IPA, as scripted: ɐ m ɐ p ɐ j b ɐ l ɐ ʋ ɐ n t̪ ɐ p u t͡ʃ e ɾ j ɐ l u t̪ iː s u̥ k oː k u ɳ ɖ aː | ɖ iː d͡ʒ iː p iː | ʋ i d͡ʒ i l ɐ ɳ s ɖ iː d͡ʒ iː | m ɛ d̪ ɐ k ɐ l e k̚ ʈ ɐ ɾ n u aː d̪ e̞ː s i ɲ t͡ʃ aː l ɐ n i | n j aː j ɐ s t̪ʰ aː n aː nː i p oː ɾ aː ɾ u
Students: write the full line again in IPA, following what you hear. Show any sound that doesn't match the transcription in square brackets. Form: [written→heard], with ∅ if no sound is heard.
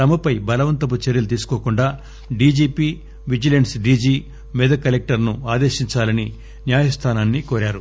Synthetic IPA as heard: ɐ m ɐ p ɐ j b ɐ l ɐ ʋ ɐ n t̪ ɐ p u t͡ʃ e ɾ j ɐ l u t̪ iː s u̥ k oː k u ɳ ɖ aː | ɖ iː d͡ʒ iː p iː | ʋ i d͡ʒ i l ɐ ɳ s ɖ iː d͡ʒ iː | m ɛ d̪ ɐ k ɐ l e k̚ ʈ ɐ ɾ n u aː d̪ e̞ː [s→ʃ] i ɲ t͡ʃ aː l ɐ n i | n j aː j ɐ s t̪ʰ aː n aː nː i [p→k] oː ɾ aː ɾ u